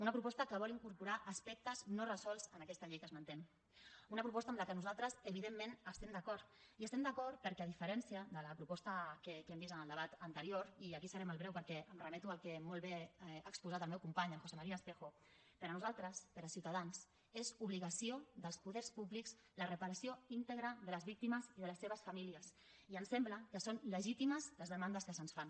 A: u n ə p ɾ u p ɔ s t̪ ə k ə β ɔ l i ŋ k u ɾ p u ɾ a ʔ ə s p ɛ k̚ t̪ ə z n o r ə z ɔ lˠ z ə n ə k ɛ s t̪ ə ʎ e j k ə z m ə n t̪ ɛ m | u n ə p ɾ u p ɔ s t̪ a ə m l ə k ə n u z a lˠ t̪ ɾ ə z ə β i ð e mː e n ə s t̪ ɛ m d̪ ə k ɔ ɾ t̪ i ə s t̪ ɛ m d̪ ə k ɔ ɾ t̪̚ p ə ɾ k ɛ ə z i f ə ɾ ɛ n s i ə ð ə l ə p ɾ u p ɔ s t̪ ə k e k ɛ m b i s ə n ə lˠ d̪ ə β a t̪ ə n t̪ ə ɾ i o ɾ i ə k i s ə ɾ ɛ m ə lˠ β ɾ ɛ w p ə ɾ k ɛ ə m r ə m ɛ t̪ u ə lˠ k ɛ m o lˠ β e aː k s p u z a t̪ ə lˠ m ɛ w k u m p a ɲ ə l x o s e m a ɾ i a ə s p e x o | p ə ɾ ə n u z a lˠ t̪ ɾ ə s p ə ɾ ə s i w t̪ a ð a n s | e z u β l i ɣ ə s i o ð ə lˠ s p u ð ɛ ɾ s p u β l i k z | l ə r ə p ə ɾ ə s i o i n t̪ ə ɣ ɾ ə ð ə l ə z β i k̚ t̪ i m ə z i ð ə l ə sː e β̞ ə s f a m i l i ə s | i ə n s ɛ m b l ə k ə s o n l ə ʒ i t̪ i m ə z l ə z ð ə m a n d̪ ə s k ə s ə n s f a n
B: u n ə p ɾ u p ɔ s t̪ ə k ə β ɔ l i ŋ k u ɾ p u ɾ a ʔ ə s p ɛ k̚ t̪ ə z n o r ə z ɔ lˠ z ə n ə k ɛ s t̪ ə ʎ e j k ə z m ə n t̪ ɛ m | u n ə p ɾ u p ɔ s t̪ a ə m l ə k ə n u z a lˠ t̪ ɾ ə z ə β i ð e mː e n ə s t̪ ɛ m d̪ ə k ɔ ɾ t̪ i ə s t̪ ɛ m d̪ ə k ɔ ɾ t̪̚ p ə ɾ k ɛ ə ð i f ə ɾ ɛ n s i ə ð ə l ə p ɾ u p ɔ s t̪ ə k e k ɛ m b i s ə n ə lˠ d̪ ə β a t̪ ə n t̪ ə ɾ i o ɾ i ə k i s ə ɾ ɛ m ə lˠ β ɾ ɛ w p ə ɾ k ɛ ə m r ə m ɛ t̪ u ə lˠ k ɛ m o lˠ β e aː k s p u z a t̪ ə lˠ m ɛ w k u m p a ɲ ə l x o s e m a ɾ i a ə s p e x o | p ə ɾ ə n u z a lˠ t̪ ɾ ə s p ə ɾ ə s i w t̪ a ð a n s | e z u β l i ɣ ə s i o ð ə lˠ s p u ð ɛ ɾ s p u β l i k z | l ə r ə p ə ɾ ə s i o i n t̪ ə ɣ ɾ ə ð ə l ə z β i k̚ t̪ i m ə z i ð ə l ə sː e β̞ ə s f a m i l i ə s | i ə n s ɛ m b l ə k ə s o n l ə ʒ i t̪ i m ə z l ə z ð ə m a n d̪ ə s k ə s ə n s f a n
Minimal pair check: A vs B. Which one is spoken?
B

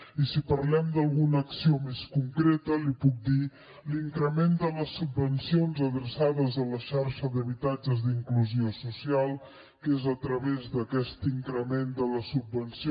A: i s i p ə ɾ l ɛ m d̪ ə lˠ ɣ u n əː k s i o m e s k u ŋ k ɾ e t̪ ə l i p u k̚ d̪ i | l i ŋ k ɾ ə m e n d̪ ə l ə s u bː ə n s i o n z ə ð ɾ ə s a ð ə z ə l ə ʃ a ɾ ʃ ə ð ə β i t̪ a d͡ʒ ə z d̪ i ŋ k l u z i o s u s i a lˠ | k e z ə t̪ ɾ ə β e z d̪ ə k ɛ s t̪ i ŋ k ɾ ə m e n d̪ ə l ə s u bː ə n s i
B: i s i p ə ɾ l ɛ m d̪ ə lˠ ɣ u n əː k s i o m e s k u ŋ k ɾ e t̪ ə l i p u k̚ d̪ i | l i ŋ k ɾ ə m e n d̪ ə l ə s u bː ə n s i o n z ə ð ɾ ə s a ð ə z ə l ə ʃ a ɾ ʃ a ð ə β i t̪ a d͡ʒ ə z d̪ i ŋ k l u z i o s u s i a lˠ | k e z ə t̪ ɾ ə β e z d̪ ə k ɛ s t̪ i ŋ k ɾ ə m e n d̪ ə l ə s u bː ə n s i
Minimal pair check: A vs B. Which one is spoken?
A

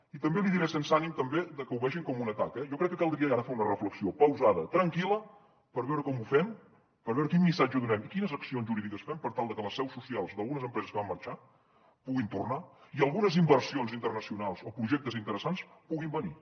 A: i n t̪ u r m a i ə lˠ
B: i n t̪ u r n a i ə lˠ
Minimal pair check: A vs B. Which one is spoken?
B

